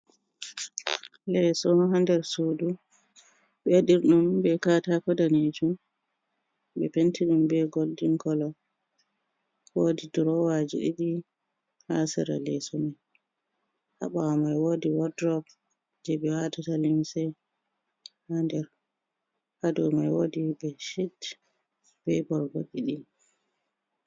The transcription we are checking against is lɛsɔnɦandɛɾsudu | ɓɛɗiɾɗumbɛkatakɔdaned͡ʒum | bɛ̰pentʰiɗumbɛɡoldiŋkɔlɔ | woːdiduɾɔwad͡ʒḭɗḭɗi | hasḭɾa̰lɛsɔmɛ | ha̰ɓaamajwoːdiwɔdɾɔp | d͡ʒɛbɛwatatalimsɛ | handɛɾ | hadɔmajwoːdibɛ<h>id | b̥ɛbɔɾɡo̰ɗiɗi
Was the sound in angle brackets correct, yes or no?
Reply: no